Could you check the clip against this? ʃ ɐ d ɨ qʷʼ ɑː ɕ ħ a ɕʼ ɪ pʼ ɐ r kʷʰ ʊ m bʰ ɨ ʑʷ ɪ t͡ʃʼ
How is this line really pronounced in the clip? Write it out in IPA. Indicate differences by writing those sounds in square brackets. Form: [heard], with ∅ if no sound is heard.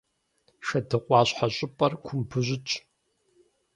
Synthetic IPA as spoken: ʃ ɐ d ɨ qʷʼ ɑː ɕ ħ a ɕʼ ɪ pʼ ɐ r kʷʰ ʊ m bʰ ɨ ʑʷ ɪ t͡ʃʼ